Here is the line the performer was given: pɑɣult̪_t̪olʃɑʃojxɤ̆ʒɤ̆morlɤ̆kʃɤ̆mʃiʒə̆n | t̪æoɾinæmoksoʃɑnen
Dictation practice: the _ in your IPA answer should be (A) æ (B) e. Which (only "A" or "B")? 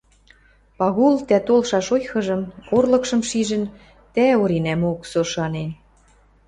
A